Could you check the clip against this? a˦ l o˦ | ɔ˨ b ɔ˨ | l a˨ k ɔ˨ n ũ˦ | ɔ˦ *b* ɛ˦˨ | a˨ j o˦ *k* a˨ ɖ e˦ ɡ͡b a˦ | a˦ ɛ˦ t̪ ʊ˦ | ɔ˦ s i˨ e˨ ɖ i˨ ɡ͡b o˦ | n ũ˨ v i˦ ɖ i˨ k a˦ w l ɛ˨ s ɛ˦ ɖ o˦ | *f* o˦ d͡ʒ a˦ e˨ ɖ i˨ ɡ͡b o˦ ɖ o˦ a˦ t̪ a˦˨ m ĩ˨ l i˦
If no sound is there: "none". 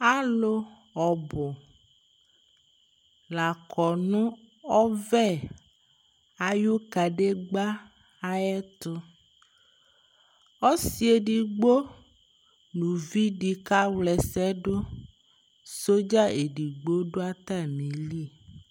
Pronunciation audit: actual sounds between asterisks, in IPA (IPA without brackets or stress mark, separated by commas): v, k, s